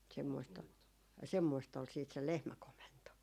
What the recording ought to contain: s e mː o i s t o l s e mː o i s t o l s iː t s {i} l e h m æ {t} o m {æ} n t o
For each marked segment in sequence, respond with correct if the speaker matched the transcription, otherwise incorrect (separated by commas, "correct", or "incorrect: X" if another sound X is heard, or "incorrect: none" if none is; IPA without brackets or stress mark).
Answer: incorrect: e, incorrect: k, incorrect: e